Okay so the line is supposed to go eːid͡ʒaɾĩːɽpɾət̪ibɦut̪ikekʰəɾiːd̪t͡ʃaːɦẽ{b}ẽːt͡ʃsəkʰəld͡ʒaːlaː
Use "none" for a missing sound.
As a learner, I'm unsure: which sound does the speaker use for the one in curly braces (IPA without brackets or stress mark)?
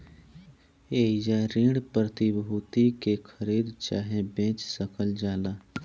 b